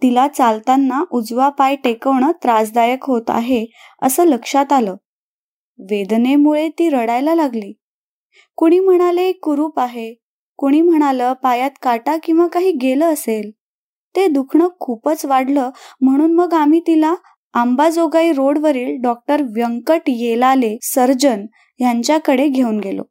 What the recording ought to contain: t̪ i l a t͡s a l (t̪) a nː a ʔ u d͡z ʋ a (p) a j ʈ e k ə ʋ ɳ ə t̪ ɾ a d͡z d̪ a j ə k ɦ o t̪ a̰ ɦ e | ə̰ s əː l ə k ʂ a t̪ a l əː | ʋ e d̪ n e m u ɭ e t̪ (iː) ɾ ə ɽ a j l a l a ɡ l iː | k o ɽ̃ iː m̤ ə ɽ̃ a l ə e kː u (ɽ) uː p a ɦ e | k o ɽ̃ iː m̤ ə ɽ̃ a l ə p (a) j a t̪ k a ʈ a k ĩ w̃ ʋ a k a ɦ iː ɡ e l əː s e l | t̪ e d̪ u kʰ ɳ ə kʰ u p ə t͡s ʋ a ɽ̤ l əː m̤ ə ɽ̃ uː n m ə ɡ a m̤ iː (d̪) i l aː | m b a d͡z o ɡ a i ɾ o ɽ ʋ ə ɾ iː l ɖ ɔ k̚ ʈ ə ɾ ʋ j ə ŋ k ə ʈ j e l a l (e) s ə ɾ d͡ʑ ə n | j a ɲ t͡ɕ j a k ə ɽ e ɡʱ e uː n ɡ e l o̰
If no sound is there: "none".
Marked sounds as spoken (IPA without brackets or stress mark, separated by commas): t̪, p, iː, ɾ, a, t̪, e